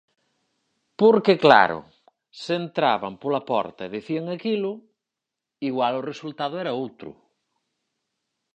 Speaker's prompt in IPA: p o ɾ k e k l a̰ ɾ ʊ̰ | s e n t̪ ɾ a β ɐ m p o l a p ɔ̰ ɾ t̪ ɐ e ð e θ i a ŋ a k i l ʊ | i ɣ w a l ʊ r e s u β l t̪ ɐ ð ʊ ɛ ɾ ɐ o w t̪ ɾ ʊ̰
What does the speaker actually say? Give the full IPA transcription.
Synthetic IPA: p o ɾ k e k l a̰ ɾ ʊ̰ | s e n t̪ ɾ a β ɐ m p o l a p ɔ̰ ɾ t̪ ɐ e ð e θ i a ŋ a k i l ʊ | i ɣ w a l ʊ r e s u l t̪ a ð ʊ ɛ ɾ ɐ o w t̪ ɾ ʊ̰